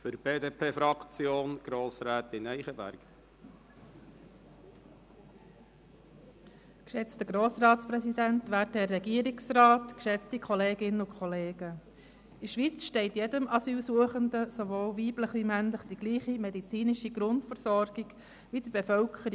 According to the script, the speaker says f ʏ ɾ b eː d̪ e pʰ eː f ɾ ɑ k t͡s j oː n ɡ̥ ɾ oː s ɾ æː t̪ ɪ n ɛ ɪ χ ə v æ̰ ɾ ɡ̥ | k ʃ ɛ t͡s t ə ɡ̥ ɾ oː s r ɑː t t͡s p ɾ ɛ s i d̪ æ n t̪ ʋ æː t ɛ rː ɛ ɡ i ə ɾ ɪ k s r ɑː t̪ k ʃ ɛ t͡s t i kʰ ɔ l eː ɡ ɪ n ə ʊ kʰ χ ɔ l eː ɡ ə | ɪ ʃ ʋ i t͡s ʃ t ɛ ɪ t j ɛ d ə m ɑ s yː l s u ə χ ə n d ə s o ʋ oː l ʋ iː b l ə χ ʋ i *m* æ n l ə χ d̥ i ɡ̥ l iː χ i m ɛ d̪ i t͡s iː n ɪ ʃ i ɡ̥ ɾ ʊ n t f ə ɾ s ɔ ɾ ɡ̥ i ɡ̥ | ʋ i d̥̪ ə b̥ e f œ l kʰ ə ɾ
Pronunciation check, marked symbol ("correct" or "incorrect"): correct